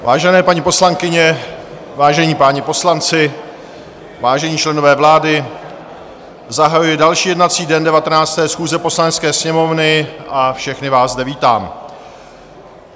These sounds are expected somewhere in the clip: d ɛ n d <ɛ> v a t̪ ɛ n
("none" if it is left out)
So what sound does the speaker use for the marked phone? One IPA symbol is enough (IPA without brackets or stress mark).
ɛ